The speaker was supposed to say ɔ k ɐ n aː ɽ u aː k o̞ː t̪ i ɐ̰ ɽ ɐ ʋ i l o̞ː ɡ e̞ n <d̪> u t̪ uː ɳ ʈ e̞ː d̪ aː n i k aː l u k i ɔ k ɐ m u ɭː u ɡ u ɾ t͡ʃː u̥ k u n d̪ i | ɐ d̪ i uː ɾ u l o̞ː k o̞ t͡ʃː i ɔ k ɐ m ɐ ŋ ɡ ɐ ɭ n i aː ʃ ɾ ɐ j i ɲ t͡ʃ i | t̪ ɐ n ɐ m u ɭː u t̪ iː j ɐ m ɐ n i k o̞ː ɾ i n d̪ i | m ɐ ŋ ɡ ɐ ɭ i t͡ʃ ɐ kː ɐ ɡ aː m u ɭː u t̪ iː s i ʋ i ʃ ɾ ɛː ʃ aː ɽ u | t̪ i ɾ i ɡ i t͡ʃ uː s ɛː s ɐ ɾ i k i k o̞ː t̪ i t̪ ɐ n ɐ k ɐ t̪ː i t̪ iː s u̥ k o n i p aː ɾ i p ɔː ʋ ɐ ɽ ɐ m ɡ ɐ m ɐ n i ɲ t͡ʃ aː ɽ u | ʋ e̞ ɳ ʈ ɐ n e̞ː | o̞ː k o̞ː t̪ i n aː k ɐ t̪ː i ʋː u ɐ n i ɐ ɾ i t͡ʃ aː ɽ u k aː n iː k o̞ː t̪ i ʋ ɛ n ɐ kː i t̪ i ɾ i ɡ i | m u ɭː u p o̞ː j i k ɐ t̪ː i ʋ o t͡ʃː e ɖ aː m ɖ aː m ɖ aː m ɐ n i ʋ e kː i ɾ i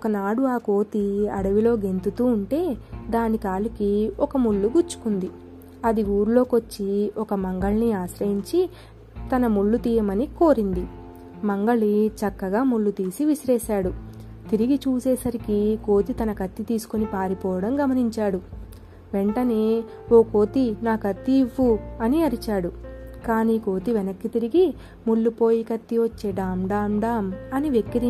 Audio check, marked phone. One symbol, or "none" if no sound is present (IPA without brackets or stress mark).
t̪